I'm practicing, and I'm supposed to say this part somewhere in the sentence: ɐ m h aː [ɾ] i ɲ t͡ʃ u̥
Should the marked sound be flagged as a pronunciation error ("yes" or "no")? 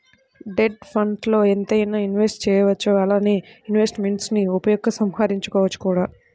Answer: no